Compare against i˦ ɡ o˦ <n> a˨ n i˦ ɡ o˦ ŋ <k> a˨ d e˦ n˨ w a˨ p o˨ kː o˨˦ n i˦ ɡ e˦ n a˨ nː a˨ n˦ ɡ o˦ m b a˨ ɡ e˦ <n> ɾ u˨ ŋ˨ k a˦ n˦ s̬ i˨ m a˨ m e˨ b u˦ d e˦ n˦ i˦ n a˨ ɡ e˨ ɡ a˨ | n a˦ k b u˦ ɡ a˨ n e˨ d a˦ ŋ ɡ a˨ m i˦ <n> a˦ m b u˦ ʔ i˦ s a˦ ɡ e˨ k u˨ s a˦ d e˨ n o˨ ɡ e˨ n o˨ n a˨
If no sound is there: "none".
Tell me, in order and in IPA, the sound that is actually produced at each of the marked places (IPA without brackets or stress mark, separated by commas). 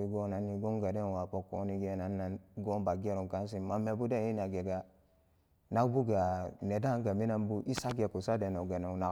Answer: n, ɡ, none, n